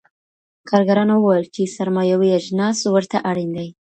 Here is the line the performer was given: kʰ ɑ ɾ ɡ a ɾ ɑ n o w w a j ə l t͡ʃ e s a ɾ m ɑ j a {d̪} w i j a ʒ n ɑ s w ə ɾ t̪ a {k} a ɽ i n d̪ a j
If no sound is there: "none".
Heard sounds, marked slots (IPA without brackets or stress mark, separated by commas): none, ʔ